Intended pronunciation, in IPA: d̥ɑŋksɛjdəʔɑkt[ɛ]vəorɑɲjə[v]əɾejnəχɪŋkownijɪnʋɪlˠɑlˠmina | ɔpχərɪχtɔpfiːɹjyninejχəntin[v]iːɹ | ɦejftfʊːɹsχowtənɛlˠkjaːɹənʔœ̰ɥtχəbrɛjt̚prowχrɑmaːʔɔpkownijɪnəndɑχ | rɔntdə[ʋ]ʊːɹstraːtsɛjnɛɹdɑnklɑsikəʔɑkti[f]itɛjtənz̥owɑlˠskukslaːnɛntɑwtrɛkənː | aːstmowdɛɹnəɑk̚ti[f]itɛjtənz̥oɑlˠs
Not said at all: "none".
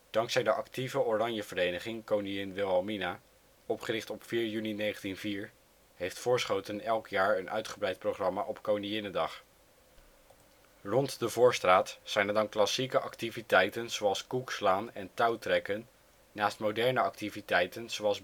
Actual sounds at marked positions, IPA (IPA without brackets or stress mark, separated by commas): i, v, v, v, v, v